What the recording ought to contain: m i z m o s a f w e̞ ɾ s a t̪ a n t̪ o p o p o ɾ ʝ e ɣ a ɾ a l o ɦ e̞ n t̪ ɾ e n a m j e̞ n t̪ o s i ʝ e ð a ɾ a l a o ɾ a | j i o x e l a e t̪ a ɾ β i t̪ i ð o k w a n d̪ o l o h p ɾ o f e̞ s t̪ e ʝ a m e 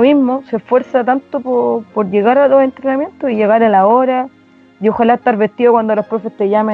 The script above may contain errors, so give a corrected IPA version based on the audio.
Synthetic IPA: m i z m o s e f w e̞ ɾ s a t̪ a n t̪ o p o p o ɾ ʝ e ɣ a ɾ a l o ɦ e̞ n t̪ ɾ e n a m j e̞ n t̪ o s i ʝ e ɣ a ɾ a l a o ɾ a | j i o x a l a e t̪ a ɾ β e t̪ i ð o k w a n d̪ o l o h p ɾ o f e̞ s t̪ e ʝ a m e

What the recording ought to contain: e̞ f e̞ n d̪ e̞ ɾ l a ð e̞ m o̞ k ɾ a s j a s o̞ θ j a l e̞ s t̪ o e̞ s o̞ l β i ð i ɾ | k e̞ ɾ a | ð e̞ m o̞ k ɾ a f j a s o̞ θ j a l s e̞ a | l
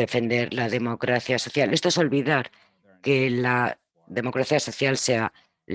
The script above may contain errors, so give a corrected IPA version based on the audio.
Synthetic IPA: e̞ f e̞ n d̪ e̞ ɾ l a ð e̞ m o̞ k ɾ a θ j a s o̞ θ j a l e̞ s t̪ o e̞ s o̞ l β i ð a ɾ | k e̞ l a | ð e̞ m o̞ k ɾ a θ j a s o̞ θ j a l s e̞ a | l

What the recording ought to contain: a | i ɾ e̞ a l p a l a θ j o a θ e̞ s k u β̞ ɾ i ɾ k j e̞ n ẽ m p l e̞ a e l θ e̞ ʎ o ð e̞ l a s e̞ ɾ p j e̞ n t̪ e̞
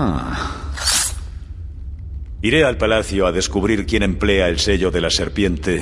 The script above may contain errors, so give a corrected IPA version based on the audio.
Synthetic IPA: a | i ɾ e̞ a l p a l a θ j o a ð e̞ s k u β̞ ɾ i ɾ k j e̞ n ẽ m p l e̞ a e l s e̞ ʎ o ð e̞ l a s e̞ ɾ p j e̞ n t̪ e̞

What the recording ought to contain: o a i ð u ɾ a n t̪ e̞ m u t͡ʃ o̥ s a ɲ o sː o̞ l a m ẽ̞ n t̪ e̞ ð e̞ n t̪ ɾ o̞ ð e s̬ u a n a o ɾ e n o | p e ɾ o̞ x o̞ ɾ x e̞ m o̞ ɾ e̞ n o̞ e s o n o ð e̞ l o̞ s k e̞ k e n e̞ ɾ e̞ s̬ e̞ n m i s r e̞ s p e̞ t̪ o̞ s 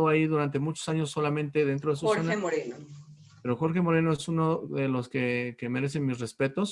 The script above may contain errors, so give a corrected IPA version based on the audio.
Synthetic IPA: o a i ð u ɾ a n t̪ e̞ m u t͡ʃ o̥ s a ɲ o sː o̞ l a m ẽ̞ n t̪ e̞ ð e̞ n t̪ ɾ o̞ ð e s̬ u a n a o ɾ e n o | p e ɾ o̞ x o̞ ɾ x e̞ m o̞ ɾ e̞ n o̞ e s u n o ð e̞ l o̞ s k e̞ k e m e̞ ɾ e̞ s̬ e̞ n m i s r e̞ s p e̞ t̪ o̞ s

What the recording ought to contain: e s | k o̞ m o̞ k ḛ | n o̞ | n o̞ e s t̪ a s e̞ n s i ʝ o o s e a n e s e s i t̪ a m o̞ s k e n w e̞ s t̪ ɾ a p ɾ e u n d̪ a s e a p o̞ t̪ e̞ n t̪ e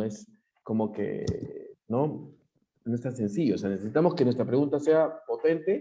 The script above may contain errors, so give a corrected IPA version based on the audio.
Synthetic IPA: e s | k o̞ m o̞ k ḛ | n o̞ | n o̞ e s t̪ a s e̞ n s i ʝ o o s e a n e s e s i t̪ a m o̞ s k e n w e̞ s t̪ ɾ a p ɾ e u n t̪ a s e a p o̞ t̪ e̞ n t̪ e

